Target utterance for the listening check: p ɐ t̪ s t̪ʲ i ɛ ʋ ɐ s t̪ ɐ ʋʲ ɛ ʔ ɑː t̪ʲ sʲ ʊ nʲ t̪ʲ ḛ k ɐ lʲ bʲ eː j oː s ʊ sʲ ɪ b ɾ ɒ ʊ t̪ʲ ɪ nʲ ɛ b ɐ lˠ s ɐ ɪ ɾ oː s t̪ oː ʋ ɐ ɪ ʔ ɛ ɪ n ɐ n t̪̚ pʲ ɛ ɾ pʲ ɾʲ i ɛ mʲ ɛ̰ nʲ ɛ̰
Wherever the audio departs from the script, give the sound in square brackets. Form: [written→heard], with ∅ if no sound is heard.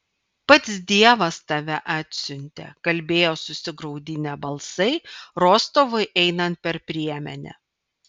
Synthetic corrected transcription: p ɐ t̪ s [t̪ʲ→d̪ʲ] i ɛ ʋ ɐ s t̪ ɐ ʋʲ ɛ ʔ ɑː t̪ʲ sʲ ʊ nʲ t̪ʲ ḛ k ɐ lʲ bʲ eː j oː s ʊ sʲ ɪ [b→ɡ] ɾ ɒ ʊ [t̪ʲ→d̪ʲ] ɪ nʲ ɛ b ɐ lˠ s ɐ ɪ ɾ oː s t̪ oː ʋ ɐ ɪ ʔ ɛ ɪ n ɐ n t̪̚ pʲ ɛ ɾ pʲ ɾʲ i ɛ mʲ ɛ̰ nʲ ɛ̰

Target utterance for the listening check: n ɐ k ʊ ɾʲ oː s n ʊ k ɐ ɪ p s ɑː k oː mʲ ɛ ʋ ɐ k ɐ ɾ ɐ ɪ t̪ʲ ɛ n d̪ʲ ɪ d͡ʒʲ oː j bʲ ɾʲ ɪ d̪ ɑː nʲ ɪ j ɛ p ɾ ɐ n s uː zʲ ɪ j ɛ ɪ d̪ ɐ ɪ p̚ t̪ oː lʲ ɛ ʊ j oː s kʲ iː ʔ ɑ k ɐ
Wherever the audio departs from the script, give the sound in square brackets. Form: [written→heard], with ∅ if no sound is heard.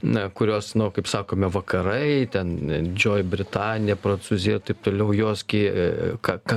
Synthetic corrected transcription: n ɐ k ʊ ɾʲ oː s n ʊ k ɐ ɪ p s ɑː k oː mʲ ɛ ʋ ɐ k ɐ ɾ ɐ ɪ t̪ʲ ɛ n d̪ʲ ɪ d͡ʒʲ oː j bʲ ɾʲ ɪ [d̪→t̪] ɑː nʲ ɪ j ɛ p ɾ ɐ n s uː zʲ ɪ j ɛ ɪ [d̪→t̪] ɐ ɪ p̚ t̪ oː lʲ ɛ ʊ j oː s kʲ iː [ʔ→k] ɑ k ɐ

